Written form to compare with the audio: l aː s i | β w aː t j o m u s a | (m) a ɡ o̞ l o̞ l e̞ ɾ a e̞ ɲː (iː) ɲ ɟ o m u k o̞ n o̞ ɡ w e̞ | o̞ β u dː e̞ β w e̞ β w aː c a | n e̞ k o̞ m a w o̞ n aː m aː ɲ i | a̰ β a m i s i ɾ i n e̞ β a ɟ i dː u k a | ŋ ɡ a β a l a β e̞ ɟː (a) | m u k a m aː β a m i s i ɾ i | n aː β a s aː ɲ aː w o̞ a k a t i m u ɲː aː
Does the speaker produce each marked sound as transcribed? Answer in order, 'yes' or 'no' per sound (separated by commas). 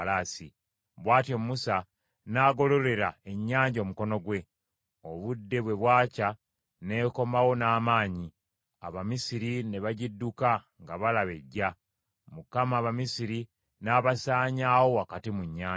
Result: no, no, yes